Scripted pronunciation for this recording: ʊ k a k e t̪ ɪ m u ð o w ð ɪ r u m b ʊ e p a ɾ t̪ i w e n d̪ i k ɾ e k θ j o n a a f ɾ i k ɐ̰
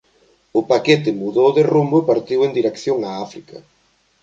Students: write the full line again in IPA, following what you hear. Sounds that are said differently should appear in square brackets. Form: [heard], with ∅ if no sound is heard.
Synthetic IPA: ʊ [p] a k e t̪ ɪ m u ð o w ð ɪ r u m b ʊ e p a ɾ t̪ i w e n d̪ i [∅] ɾ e k θ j o [ŋ] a a f ɾ i k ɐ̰